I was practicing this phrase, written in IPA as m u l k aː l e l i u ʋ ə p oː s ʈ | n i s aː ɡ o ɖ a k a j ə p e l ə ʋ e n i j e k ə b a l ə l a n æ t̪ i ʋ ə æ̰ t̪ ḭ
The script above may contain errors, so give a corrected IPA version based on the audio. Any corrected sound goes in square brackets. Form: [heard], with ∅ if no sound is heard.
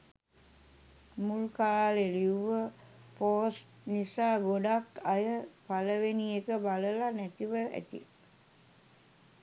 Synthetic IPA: m u l k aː l e l i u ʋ ə p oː s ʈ | n i s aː ɡ o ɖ a k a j ə p [a] l ə ʋ e n i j e k ə b a l ə l a n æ t̪ i ʋ ə æ̰ t̪ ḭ